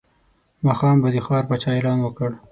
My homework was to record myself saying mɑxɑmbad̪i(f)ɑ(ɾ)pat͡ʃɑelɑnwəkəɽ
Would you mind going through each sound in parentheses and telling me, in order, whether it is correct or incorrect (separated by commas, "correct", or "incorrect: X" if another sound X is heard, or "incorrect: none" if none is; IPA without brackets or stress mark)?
incorrect: x, correct